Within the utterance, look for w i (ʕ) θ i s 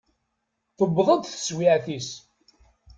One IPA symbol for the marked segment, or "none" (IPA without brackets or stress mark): ʕ